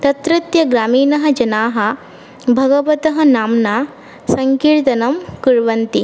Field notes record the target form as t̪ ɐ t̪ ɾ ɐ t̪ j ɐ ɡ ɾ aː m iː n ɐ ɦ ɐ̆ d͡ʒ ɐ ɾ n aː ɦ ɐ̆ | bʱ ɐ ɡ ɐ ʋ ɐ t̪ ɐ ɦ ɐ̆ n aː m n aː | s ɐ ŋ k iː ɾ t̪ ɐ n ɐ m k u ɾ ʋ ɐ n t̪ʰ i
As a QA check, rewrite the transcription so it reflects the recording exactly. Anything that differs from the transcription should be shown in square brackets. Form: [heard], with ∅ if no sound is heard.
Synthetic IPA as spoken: t̪ ɐ t̪ ɾ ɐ t̪ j ɐ ɡ ɾ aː m iː n ɐ ɦ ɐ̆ d͡ʒ ɐ [∅] n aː ɦ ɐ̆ | bʱ ɐ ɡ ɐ ʋ ɐ t̪ ɐ ɦ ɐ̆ n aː m n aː | s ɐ ŋ k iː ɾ t̪ ɐ n ɐ m k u ɾ ʋ ɐ n [t̪] i

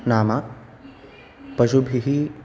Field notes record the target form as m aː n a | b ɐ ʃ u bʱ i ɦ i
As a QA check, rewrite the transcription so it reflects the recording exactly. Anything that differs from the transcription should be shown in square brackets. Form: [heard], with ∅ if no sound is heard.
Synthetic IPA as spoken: [n] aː [m] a | [p] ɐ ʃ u bʱ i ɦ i

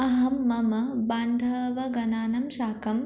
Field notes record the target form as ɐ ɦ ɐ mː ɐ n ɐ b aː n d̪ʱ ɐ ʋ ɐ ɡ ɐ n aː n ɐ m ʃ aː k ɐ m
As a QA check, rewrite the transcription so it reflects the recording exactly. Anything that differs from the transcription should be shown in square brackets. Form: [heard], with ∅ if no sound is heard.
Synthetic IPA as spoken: ɐ ɦ ɐ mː ɐ [m] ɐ b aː n d̪ʱ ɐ ʋ ɐ ɡ ɐ n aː n ɐ m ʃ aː k ɐ m

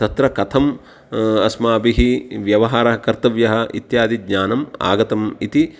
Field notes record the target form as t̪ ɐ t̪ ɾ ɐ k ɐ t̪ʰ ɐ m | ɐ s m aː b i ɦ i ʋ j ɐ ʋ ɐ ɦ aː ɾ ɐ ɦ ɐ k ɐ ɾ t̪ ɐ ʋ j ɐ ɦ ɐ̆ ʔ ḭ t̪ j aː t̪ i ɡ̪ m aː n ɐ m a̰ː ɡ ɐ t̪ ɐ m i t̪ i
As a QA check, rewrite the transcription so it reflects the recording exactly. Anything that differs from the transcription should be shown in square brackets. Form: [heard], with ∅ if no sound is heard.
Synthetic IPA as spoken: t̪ ɐ t̪ ɾ ɐ k ɐ t̪ʰ ɐ m | ɐ s m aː b i ɦ i ʋ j ɐ ʋ ɐ ɦ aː ɾ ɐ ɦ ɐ k ɐ ɾ t̪ ɐ ʋ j ɐ ɦ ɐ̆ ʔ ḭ t̪ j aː [d̪] i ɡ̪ [ɲ] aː n ɐ m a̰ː ɡ ɐ t̪ ɐ m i t̪ i

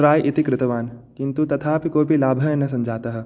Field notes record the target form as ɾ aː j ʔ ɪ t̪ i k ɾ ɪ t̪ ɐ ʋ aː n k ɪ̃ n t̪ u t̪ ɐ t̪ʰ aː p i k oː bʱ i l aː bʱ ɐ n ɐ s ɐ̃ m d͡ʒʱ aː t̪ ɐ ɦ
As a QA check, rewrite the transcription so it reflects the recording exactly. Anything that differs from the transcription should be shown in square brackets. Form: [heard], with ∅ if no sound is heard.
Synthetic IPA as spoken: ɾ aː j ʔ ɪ t̪ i k ɾ ɪ t̪ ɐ ʋ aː n k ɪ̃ n t̪ u t̪ ɐ t̪ʰ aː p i k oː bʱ i l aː bʱ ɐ n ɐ s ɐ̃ m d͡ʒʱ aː t̪ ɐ ɦ

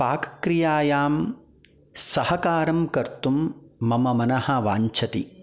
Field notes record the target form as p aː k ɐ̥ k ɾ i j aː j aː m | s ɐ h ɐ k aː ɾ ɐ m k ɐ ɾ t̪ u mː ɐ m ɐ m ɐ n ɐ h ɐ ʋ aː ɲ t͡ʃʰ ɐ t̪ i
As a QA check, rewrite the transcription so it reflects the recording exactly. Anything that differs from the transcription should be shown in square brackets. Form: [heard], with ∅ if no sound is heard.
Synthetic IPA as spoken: p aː k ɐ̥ k ɾ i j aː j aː m | s ɐ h ɐ k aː ɾ ɐ m k ɐ ɾ t̪ u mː ɐ m ɐ m ɐ n ɐ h ɐ ʋ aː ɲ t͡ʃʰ ɐ t̪ i

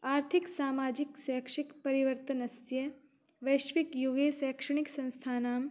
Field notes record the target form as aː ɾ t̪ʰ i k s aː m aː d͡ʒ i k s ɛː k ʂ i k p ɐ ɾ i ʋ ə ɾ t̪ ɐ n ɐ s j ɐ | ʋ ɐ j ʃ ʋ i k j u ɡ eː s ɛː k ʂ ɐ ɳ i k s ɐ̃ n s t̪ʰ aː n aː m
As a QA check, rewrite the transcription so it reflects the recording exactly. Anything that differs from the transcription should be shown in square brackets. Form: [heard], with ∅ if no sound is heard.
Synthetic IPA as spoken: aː ɾ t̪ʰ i k s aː m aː d͡ʒ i k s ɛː k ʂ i k p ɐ ɾ i ʋ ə ɾ t̪ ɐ n ɐ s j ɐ | ʋ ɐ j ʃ ʋ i k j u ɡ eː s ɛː k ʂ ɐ ɳ i k s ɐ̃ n s t̪ʰ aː n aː m

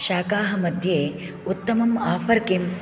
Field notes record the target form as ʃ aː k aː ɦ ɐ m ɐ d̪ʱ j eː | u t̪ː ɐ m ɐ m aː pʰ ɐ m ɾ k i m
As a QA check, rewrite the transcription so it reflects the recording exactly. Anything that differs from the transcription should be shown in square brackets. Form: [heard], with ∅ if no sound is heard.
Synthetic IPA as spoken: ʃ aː k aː ɦ ɐ m ɐ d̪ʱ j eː | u t̪ː ɐ m ɐ m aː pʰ ɐ [∅] ɾ k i m

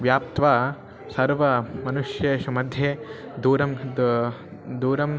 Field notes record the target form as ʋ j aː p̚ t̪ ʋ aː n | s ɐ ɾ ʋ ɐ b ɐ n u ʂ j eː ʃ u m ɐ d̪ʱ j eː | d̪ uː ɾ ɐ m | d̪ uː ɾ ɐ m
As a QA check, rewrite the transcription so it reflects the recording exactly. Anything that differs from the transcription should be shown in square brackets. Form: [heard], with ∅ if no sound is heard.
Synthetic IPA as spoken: ʋ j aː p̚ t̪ ʋ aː [∅] | s ɐ ɾ ʋ ɐ [m] ɐ n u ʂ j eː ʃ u m ɐ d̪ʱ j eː | d̪ uː ɾ ɐ m | d̪ uː ɾ ɐ m

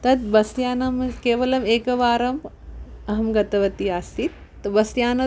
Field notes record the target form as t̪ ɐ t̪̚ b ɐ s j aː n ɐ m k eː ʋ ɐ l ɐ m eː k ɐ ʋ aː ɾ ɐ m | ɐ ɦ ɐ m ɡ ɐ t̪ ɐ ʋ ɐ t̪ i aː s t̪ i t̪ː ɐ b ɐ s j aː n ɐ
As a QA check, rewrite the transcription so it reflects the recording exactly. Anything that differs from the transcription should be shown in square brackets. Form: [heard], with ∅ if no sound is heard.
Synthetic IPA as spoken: t̪ ɐ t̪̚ b ɐ s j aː n ɐ m k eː ʋ ɐ l ɐ m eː k ɐ ʋ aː ɾ ɐ m | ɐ ɦ ɐ m ɡ ɐ t̪ ɐ ʋ ɐ t̪ i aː s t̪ i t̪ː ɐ b ɐ s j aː n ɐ

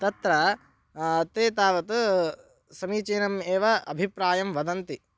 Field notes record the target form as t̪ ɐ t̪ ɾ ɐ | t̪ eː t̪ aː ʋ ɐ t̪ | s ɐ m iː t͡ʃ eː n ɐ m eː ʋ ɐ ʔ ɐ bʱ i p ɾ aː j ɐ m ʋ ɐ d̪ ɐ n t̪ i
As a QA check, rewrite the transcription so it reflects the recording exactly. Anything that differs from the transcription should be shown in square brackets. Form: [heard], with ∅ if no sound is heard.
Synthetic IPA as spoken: t̪ ɐ t̪ ɾ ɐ | t̪ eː t̪ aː ʋ ɐ t̪ | s ɐ m iː t͡ʃ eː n ɐ m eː ʋ ɐ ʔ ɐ bʱ i p ɾ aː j ɐ m ʋ ɐ d̪ ɐ n t̪ i

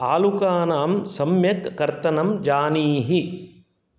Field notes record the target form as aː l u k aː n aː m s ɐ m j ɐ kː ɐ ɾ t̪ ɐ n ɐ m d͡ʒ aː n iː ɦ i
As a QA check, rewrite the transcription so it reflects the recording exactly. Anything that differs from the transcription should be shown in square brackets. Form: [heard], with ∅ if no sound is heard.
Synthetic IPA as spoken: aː l u k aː n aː m s ɐ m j ɐ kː ɐ ɾ t̪ ɐ n ɐ m d͡ʒ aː n iː ɦ i

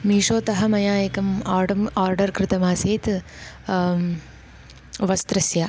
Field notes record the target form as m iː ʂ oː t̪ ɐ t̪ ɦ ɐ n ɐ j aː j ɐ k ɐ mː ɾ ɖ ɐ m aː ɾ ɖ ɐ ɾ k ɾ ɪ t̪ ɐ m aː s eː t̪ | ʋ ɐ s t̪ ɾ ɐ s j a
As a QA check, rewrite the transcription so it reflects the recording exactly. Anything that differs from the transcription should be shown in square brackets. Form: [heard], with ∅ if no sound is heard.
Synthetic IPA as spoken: m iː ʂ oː t̪ ɐ [∅] ɦ ɐ [m] ɐ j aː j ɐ k ɐ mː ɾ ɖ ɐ m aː ɾ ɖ ɐ ɾ k ɾ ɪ t̪ ɐ m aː s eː t̪ | ʋ ɐ s t̪ ɾ ɐ s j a

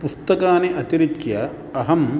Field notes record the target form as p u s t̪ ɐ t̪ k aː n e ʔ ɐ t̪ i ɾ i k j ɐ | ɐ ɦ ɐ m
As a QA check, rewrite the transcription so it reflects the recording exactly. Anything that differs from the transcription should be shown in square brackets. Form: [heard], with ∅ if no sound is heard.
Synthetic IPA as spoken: p u s t̪ ɐ [∅] k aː n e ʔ ɐ t̪ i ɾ i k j ɐ | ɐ ɦ ɐ m

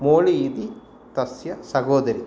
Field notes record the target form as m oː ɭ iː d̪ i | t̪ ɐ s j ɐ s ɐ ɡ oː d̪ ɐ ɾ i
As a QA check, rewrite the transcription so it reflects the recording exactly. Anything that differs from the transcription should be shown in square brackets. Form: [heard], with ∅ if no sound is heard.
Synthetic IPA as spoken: m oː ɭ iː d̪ i | t̪ ɐ s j ɐ s ɐ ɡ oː d̪ ɐ ɾ i

